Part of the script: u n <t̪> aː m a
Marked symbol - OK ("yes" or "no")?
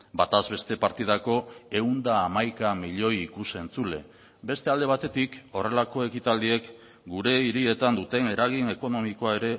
no